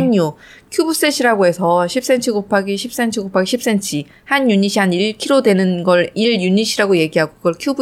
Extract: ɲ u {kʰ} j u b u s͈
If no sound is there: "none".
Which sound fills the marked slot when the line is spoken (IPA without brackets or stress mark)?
kʰ